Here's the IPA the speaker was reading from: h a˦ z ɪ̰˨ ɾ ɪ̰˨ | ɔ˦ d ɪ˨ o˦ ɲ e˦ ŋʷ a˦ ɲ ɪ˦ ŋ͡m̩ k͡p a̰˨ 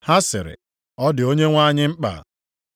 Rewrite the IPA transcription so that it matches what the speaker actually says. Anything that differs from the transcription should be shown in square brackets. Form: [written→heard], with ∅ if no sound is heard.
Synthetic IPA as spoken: h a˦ [z→s] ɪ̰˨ ɾ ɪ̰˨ | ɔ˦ d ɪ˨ o˦ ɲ e˦ ŋʷ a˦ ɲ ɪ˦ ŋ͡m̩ k͡p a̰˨